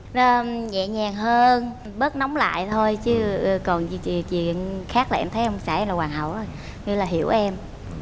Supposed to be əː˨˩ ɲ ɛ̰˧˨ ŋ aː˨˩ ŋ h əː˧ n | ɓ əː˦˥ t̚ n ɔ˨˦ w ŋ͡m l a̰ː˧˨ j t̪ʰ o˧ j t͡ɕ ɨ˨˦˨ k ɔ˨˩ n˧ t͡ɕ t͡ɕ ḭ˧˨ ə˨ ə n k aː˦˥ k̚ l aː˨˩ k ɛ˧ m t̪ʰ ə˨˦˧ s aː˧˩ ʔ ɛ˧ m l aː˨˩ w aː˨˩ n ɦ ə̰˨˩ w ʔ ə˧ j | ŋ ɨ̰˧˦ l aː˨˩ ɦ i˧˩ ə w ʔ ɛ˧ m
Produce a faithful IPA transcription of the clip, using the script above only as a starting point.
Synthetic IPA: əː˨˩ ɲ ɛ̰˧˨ ɲ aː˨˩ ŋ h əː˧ n | ɓ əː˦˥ t̚ n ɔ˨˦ w ŋ͡m l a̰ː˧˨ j t̪ʰ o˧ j t͡ɕ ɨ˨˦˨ k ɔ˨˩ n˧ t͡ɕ t͡ɕ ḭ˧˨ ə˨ ə n x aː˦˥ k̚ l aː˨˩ ʔ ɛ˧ m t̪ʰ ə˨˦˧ s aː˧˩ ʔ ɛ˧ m l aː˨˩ w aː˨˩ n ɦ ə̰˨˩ w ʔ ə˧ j | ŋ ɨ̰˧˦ l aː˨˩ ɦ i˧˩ ə w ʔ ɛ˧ m